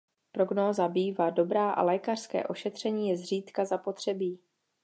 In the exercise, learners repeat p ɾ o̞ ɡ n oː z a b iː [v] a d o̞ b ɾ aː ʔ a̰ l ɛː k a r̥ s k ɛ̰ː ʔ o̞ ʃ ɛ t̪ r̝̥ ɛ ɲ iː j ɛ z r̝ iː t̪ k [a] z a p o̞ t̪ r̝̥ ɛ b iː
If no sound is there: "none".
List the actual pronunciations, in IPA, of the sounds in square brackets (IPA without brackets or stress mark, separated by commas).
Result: v, a